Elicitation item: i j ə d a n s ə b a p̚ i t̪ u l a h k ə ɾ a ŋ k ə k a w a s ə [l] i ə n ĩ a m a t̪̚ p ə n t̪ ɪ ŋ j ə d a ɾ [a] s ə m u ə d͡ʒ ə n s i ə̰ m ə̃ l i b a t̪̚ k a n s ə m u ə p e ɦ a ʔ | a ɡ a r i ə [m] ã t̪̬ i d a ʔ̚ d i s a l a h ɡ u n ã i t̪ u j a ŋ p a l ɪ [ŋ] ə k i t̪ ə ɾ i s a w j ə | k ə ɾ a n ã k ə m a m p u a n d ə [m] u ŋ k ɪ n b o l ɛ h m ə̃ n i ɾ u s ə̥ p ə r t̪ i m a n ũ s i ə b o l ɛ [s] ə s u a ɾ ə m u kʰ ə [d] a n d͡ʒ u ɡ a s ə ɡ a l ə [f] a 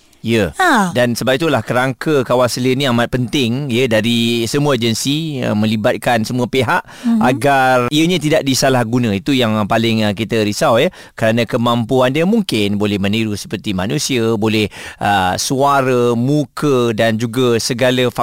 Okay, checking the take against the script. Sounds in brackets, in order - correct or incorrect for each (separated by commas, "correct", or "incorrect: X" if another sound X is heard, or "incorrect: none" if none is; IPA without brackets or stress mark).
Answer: correct, incorrect: i, incorrect: ɲ, correct, correct, incorrect: h, correct, correct